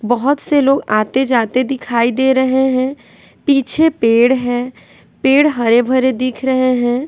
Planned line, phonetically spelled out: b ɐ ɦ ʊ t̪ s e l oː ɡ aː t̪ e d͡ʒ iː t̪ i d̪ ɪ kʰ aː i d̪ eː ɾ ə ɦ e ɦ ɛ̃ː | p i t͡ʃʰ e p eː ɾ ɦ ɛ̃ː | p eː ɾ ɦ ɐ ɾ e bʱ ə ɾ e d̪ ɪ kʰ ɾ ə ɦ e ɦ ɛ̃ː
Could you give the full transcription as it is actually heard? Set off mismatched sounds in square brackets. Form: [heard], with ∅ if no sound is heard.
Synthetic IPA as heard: b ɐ ɦ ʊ t̪ s e l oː ɡ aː t̪ e d͡ʒ [aː] t̪ [e] d̪ ɪ kʰ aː i d̪ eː ɾ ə ɦ e ɦ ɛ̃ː | p [iː] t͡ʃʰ e p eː [ɽ] ɦ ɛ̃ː | p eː [ɽ] ɦ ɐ ɾ e bʱ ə ɾ e d̪ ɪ kʰ ɾ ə ɦ e ɦ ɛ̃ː

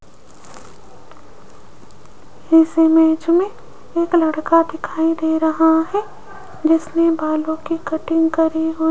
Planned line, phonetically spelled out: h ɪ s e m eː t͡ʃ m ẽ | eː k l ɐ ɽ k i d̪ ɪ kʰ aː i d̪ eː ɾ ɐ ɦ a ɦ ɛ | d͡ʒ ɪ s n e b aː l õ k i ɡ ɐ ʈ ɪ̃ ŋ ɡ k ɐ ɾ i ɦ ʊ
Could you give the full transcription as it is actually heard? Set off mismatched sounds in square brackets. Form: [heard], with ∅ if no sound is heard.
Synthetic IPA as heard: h ɪ s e m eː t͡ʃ m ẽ | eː k l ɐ ɽ k [a] d̪ ɪ kʰ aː i d̪ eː ɾ ɐ ɦ a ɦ ɛ | d͡ʒ ɪ s n e b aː l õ k i [k] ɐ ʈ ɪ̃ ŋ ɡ k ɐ ɾ i ɦ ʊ

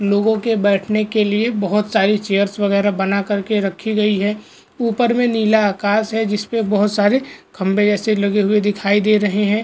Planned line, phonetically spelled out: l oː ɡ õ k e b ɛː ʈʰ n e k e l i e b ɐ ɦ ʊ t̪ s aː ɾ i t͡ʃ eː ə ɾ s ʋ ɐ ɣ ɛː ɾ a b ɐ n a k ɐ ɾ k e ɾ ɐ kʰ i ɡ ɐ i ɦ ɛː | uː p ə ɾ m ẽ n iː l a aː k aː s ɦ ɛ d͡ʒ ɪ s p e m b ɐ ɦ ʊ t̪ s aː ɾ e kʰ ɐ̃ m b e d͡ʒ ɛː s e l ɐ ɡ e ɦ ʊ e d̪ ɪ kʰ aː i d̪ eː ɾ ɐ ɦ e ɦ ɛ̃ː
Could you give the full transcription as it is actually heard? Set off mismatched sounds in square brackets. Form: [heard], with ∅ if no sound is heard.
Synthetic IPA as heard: l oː ɡ õ k e b ɛː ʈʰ n e k e l i e b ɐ ɦ ʊ t̪ s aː ɾ i t͡ʃ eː ə ɾ s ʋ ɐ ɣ ɛː ɾ a b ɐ n a k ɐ ɾ k e ɾ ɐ kʰ i ɡ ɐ i ɦ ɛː | uː p ə ɾ m ẽ n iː l a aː k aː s ɦ ɛ d͡ʒ ɪ s p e [∅] b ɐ ɦ ʊ t̪ s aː ɾ e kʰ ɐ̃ m b e d͡ʒ ɛː s e l ɐ ɡ e ɦ ʊ e d̪ ɪ kʰ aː i d̪ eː ɾ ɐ ɦ e ɦ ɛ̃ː

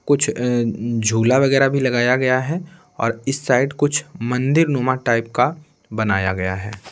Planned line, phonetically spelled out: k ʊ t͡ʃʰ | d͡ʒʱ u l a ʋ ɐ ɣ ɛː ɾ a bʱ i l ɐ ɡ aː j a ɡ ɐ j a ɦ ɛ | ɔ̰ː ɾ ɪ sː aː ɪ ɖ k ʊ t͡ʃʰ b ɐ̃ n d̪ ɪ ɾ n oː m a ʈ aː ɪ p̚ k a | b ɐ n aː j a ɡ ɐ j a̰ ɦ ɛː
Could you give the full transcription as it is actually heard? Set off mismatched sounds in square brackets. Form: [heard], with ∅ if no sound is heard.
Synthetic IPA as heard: k ʊ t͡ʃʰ | d͡ʒʱ [uː] l a ʋ ɐ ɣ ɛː ɾ a bʱ i l ɐ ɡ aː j a ɡ ɐ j a ɦ ɛ | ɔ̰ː ɾ ɪ sː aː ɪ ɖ k ʊ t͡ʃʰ [m] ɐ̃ n d̪ ɪ ɾ n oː m a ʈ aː ɪ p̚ k a | b ɐ n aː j a ɡ ɐ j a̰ ɦ ɛː

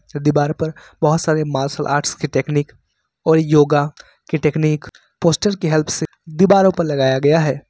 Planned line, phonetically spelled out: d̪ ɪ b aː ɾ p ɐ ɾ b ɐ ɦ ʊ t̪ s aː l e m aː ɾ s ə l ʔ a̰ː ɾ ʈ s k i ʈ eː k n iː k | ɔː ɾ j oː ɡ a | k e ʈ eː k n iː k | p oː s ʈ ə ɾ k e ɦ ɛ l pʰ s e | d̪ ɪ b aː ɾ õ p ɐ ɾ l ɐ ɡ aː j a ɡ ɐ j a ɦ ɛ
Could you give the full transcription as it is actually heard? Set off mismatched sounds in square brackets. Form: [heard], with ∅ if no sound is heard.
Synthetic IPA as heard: d̪ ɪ b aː ɾ p ɐ ɾ b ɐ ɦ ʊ t̪ s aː [ɾ] e m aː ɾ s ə l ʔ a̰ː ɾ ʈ s k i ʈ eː k n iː k | ɔː ɾ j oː ɡ a | k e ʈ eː k n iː k | p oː s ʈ ə ɾ k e ɦ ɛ l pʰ s e | d̪ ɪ b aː ɾ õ p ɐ ɾ l ɐ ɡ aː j a ɡ ɐ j a ɦ [ɛː]

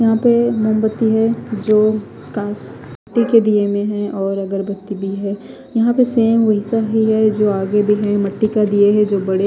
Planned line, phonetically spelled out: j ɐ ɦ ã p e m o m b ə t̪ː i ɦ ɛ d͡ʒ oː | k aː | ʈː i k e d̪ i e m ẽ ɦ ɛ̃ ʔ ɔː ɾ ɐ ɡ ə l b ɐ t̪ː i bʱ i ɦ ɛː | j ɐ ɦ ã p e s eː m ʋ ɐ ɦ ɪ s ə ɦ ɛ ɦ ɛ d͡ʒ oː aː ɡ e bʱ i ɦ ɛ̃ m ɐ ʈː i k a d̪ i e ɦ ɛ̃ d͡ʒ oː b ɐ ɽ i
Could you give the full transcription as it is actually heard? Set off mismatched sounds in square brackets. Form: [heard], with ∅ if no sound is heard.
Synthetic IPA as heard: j ɐ ɦ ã p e m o m b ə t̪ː i ɦ ɛ d͡ʒ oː | k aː | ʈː i k e d̪ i e m ẽ ɦ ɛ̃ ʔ ɔː ɾ ɐ ɡ ə [ɾ] b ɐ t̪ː i bʱ i ɦ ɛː | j ɐ ɦ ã p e s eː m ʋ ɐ ɦ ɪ s [a] ɦ [i] ɦ ɛ d͡ʒ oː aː ɡ e bʱ i ɦ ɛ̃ m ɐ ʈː i k a d̪ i e ɦ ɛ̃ d͡ʒ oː b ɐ ɽ [e]

